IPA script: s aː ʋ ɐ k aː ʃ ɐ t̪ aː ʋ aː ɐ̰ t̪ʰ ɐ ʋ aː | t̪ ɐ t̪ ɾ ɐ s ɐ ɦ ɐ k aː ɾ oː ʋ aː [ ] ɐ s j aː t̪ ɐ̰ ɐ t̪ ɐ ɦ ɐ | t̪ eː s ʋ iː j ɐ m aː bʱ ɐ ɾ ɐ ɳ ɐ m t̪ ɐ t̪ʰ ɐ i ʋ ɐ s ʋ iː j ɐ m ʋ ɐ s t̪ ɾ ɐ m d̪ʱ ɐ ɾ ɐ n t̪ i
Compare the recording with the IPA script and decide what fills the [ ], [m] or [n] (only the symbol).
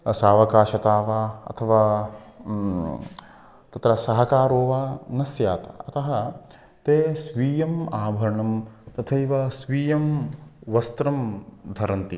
n